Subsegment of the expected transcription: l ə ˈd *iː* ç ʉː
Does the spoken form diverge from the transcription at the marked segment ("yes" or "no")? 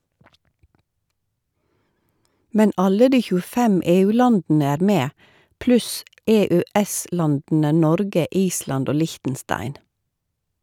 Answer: no